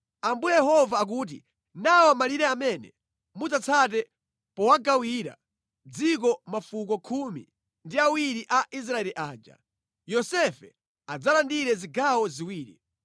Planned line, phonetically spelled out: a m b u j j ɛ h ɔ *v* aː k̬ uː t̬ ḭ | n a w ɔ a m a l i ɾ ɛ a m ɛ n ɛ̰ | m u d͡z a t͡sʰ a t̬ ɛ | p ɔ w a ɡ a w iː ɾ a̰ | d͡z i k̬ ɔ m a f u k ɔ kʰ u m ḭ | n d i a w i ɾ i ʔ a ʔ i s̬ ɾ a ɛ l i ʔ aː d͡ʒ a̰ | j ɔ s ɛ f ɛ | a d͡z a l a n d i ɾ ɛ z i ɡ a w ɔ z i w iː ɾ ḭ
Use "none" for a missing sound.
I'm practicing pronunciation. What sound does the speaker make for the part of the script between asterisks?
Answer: v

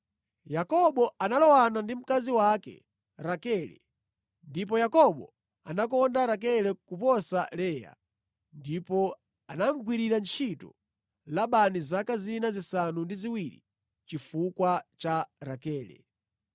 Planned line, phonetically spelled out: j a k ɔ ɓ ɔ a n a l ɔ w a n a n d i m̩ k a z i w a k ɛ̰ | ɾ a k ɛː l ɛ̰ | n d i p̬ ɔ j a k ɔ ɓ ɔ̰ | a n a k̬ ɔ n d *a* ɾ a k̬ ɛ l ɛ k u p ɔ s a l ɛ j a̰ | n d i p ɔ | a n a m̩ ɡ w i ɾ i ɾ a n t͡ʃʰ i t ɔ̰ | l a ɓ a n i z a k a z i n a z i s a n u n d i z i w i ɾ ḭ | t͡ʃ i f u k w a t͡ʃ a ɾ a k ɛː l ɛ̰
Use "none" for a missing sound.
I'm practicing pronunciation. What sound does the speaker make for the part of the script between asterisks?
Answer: a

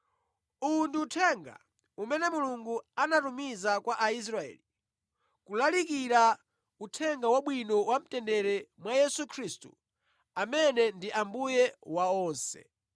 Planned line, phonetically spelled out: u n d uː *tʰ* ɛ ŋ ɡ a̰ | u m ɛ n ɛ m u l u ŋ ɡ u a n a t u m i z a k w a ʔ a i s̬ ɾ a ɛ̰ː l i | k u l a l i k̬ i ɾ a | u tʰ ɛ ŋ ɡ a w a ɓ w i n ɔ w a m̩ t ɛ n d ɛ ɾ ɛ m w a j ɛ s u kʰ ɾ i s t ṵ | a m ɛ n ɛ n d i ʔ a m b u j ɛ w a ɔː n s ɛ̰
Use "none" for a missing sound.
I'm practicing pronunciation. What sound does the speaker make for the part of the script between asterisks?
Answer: tʰ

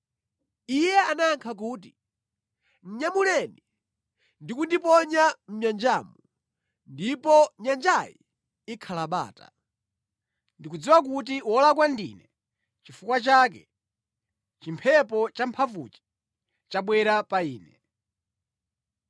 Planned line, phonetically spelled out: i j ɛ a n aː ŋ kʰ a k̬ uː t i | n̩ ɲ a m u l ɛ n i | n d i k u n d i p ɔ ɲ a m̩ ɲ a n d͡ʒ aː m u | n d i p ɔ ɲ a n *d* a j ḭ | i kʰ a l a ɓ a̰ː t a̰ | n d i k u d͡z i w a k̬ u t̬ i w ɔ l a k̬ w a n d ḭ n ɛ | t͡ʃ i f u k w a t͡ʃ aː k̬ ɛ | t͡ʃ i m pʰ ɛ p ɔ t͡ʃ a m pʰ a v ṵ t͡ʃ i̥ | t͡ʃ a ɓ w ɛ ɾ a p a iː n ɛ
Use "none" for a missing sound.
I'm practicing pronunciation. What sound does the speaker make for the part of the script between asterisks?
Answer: d͡ʒ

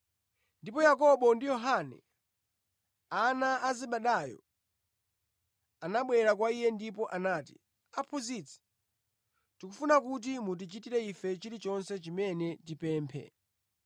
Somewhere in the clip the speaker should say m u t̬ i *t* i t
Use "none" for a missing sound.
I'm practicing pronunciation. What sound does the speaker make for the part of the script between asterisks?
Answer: t͡ʃ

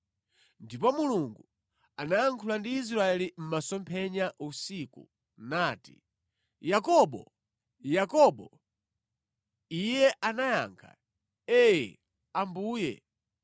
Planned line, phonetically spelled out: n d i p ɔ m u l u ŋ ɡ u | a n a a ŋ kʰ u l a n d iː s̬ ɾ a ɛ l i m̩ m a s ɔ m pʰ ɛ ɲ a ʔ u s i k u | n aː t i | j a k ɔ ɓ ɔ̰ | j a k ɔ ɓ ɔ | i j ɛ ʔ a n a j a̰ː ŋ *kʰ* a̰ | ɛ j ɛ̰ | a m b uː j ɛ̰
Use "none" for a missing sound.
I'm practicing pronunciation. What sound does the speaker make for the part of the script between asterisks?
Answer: kʰ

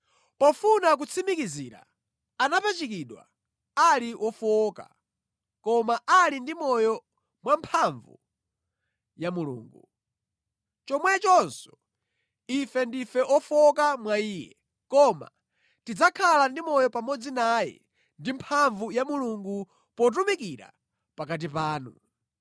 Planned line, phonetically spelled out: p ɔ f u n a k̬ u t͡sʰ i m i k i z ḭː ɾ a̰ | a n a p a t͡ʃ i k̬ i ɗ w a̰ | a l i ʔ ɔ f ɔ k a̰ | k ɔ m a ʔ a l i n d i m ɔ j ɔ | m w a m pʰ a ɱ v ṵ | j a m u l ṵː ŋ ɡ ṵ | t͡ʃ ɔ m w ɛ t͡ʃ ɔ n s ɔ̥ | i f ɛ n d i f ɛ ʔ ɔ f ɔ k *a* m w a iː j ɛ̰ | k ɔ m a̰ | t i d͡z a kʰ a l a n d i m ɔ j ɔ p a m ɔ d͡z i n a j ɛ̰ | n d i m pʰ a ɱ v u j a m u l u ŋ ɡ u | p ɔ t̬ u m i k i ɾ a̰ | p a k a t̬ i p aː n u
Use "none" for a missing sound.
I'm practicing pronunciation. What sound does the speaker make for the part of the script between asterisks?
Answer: a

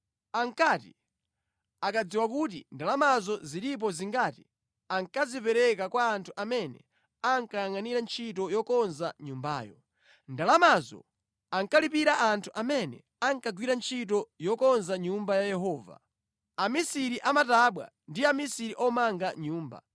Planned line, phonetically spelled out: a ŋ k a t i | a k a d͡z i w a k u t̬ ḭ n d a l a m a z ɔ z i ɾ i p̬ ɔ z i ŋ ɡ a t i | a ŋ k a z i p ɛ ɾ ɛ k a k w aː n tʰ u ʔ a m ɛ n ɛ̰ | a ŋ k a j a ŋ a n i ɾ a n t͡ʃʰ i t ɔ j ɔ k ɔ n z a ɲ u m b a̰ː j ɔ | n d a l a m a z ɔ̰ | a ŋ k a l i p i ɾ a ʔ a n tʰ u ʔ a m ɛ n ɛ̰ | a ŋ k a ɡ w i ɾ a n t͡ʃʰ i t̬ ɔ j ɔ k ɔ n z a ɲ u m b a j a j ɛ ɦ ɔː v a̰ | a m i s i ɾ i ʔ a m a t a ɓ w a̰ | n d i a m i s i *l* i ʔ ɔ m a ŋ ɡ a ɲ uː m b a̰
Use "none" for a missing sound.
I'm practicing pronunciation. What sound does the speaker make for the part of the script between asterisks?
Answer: ɾ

